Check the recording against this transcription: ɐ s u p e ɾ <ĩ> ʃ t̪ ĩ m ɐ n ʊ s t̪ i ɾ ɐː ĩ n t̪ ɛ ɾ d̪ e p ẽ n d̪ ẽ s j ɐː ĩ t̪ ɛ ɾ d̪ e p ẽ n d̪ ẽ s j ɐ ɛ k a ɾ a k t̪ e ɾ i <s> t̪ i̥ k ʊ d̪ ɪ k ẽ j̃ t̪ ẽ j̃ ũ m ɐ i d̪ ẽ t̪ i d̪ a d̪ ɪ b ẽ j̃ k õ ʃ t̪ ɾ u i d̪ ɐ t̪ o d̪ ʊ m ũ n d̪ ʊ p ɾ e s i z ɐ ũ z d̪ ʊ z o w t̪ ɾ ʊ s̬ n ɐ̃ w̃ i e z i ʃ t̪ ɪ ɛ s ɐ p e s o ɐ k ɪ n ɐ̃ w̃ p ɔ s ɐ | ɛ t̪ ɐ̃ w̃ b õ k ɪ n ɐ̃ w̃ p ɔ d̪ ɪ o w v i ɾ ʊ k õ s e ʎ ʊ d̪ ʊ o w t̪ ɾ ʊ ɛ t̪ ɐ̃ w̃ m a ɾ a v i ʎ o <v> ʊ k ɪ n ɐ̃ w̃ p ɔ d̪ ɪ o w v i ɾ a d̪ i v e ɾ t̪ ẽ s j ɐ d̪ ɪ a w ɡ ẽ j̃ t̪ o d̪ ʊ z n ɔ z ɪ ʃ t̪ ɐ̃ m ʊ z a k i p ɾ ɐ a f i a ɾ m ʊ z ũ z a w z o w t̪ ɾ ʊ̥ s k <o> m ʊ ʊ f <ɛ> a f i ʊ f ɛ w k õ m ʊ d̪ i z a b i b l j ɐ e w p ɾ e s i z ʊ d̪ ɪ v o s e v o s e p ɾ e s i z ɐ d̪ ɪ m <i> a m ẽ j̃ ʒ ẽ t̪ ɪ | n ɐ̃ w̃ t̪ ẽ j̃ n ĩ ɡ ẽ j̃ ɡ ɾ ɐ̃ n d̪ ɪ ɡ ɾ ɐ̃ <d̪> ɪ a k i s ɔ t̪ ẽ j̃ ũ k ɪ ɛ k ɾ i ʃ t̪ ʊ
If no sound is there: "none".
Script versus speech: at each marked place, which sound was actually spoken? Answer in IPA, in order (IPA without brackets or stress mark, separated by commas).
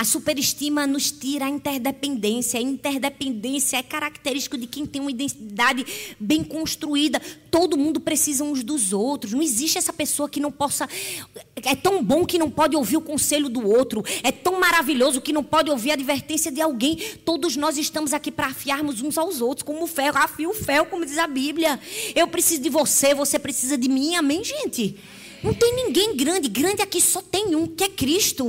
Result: i, ʃ, z, õ, ɛ, ĩ, d̪